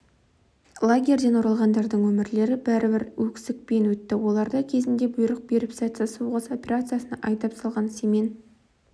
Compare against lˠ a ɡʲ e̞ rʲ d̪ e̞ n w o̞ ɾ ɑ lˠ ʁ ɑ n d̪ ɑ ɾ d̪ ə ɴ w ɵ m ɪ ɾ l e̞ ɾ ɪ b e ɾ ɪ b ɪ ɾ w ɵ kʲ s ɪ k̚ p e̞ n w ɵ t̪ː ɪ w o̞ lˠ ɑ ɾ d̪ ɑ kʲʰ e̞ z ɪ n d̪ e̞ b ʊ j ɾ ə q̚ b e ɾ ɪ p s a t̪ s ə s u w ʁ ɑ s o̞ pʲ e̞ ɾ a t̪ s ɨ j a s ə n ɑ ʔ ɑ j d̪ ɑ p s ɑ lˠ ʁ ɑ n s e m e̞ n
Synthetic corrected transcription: lˠ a ɡʲ e̞ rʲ d̪ e̞ n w o̞ ɾ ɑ lˠ ʁ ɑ n d̪ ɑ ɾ d̪ ə ɴ w ɵ m ɪ ɾ l e̞ ɾ ɪ b æ ɾ ɪ b ɪ ɾ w ɵ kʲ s ɪ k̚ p e̞ n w ɵ t̪ː ɪ w o̞ lˠ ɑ ɾ d̪ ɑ kʲʰ e̞ z ɪ n d̪ e̞ b ʊ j ɾ ə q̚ b e ɾ ɪ p s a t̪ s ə s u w ʁ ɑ s o̞ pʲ e̞ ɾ a t̪ s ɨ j a s ə n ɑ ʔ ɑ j t̪ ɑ p s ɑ lˠ ʁ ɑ n s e m e̞ n